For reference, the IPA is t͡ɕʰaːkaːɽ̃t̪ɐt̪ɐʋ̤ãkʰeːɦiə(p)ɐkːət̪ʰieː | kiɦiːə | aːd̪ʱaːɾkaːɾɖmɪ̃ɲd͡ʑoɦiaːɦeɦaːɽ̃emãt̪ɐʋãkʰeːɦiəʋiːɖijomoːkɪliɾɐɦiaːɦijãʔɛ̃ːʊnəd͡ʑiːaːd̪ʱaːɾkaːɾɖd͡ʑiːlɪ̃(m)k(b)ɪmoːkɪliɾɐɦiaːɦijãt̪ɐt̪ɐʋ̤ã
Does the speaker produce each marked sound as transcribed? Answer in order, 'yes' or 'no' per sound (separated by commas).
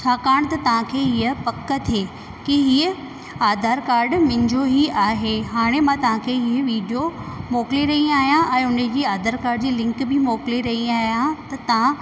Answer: yes, no, yes